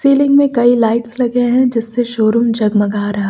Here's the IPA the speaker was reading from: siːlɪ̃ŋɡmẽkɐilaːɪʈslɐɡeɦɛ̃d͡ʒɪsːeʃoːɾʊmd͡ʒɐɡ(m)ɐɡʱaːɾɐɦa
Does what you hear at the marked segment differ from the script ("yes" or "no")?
no